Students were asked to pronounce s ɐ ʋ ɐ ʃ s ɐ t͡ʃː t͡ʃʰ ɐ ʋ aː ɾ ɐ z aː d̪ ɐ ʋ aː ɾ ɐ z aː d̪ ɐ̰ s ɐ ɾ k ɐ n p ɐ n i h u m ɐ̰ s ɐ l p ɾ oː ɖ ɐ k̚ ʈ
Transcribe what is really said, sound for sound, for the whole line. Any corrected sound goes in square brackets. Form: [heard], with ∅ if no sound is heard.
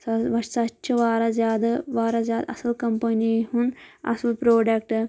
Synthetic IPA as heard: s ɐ ʋ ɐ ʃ s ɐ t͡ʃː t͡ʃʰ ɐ ʋ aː ɾ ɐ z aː d̪ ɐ ʋ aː ɾ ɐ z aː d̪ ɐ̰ s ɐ [l] k ɐ [m] p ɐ n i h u [n] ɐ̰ s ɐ l p ɾ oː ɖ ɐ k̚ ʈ